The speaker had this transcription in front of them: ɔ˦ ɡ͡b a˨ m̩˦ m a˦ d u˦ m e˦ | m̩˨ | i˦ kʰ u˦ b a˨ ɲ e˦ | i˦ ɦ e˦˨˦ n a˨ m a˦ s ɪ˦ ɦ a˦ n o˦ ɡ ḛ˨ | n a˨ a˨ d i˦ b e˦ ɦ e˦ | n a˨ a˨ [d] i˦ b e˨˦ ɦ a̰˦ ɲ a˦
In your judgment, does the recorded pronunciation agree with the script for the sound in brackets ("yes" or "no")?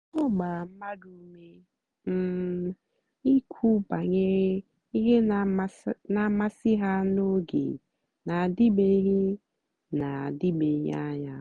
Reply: yes